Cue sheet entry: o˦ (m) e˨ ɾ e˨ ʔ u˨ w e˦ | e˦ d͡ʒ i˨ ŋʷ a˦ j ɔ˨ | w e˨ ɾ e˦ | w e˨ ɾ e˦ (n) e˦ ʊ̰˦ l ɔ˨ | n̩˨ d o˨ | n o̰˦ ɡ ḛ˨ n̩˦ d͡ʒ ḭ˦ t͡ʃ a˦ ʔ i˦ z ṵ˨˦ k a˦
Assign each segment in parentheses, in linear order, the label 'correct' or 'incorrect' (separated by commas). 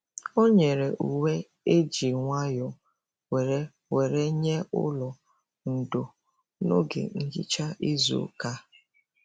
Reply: incorrect, incorrect